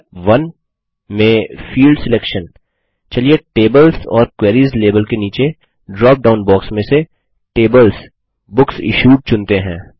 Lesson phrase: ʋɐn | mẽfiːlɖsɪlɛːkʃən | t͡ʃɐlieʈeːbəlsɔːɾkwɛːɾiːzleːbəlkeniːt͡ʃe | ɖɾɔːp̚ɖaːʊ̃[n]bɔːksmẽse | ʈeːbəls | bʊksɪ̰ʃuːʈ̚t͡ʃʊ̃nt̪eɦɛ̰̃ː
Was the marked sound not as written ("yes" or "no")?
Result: no